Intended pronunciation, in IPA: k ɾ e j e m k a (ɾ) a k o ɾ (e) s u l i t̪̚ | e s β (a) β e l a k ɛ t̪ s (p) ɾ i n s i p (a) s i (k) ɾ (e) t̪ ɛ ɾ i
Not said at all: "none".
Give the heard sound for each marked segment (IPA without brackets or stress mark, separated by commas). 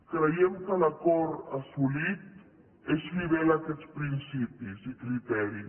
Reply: l, a, i, p, i, k, i